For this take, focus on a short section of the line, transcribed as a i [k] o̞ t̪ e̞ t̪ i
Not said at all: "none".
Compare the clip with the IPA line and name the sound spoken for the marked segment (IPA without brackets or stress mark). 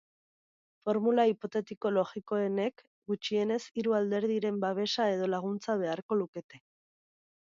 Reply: p